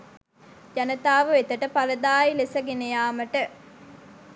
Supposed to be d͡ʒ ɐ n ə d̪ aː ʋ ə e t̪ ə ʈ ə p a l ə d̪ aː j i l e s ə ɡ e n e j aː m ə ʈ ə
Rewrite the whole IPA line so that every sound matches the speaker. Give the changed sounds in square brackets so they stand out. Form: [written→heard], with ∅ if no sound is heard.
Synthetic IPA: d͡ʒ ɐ n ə [d̪→t̪] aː ʋ ə e t̪ ə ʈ ə p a l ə d̪ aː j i l e s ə ɡ e n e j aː m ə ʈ ə